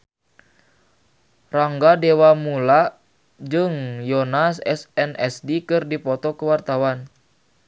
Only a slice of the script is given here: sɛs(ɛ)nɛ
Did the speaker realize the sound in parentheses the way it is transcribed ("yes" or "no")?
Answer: yes